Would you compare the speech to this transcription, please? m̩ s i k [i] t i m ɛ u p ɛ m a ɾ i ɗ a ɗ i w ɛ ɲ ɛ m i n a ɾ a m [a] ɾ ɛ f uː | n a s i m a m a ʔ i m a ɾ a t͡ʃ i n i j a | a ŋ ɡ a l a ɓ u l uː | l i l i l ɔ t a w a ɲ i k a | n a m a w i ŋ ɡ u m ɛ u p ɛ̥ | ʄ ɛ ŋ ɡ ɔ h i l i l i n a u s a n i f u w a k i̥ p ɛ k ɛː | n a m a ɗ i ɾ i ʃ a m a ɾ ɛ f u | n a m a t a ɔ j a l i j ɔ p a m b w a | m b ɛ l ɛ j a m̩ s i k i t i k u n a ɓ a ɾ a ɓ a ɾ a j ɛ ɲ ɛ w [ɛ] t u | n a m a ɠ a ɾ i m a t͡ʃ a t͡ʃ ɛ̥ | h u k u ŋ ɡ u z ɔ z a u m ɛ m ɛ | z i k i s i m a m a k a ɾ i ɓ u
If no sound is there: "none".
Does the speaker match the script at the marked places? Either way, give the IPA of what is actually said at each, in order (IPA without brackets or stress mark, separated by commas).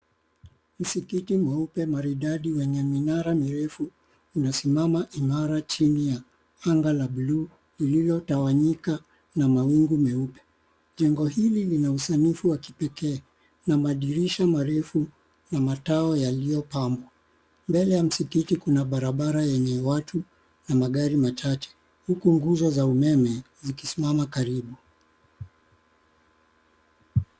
i, i, a